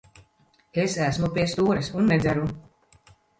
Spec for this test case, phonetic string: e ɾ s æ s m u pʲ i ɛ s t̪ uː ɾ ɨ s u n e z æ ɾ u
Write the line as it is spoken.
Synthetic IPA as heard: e s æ s m u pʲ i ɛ s t̪ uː ɾ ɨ s u nː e z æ ɾ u